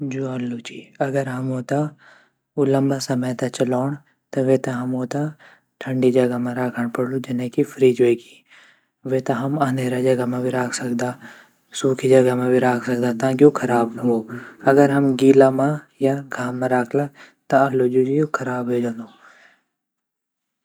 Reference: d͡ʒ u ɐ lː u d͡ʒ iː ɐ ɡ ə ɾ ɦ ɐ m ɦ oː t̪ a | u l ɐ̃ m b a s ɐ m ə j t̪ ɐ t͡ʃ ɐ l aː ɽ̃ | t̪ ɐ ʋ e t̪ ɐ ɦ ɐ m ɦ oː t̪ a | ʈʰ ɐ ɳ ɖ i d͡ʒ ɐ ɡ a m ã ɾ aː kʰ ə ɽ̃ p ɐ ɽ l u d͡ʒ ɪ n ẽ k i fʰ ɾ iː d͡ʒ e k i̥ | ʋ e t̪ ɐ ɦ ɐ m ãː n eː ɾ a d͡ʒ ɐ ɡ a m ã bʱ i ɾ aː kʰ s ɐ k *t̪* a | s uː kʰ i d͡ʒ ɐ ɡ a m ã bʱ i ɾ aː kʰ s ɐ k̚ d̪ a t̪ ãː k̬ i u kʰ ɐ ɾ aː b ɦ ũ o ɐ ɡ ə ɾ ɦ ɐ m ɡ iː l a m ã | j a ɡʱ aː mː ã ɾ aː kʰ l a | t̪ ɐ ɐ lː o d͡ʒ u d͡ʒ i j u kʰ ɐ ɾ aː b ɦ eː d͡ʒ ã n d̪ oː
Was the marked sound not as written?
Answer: yes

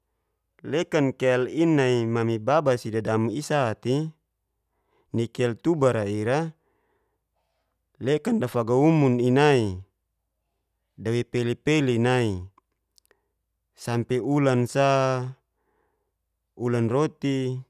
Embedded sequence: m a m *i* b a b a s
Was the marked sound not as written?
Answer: no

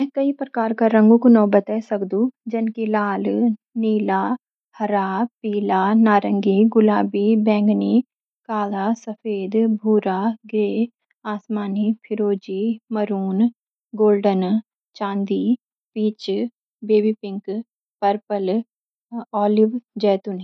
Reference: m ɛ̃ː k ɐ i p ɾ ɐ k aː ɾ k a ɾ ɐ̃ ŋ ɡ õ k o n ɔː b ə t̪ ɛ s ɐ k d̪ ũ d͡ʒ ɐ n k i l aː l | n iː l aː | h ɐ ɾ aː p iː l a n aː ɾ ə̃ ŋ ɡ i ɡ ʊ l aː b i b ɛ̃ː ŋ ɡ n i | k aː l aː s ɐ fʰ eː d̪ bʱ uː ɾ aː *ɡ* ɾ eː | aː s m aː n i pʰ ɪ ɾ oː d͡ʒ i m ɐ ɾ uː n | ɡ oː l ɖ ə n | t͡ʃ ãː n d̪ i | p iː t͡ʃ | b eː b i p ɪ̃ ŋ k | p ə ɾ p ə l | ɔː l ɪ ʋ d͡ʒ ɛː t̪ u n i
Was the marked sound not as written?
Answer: no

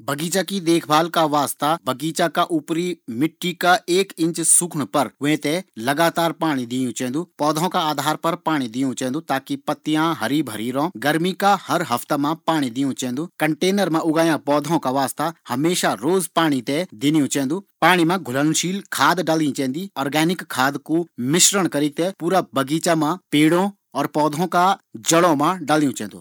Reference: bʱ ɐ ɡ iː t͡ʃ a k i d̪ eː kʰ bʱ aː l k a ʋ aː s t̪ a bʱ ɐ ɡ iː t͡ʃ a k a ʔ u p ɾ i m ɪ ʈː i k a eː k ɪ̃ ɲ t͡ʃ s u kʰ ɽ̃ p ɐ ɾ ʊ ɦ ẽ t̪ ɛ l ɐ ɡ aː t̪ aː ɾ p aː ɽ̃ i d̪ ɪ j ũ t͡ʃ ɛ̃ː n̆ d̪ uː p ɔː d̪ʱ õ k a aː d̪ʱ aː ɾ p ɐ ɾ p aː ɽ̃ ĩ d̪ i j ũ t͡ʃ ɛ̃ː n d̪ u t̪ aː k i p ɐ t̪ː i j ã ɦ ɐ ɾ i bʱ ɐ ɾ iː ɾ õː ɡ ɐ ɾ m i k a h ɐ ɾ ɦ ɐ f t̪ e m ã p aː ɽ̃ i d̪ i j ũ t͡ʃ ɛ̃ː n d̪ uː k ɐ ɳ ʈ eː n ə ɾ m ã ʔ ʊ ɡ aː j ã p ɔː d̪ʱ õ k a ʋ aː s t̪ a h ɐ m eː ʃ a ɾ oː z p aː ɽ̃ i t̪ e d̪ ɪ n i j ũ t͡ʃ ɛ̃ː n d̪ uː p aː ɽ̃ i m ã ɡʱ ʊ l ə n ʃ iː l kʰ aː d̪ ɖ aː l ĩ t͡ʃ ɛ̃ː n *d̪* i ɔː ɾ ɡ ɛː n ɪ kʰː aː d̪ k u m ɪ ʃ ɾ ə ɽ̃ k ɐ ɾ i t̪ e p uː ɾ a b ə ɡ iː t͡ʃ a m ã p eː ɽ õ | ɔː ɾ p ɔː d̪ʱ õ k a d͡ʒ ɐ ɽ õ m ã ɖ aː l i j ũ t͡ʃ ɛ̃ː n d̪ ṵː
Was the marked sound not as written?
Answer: no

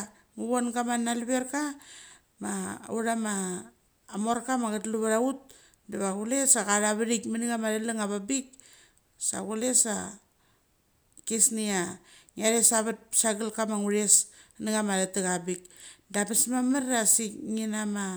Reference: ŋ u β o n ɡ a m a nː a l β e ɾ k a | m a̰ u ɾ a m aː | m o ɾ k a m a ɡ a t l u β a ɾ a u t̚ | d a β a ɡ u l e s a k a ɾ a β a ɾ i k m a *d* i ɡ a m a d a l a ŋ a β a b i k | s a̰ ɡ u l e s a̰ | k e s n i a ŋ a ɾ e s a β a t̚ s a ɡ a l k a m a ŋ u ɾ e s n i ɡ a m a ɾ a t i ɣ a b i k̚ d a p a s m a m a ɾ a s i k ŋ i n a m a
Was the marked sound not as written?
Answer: yes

